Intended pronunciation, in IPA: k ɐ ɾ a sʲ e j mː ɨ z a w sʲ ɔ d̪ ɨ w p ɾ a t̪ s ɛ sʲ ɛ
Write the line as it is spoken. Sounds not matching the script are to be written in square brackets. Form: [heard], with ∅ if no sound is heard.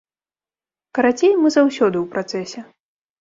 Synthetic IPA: k ɐ ɾ a [t͡sʲ] e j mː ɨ z a w sʲ ɔ d̪ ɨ w p ɾ a t̪ s ɛ sʲ ɛ